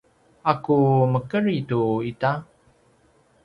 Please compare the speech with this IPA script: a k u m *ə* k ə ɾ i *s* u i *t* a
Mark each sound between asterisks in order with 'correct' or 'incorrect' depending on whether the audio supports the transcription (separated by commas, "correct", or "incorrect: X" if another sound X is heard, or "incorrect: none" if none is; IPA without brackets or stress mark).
correct, incorrect: t, correct